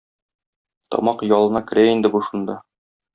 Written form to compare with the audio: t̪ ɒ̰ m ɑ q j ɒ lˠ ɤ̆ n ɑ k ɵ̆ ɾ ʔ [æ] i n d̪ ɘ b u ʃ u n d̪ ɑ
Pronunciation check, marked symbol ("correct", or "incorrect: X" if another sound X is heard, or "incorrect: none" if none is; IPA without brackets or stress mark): correct